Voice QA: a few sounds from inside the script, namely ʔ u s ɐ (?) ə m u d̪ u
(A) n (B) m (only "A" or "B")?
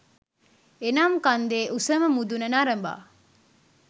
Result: B